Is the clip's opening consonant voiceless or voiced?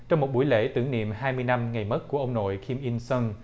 voiceless